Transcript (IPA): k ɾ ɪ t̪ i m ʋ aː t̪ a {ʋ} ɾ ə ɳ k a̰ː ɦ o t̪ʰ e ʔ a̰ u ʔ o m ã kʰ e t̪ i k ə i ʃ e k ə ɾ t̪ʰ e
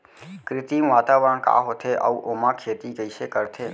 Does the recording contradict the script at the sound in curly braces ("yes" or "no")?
no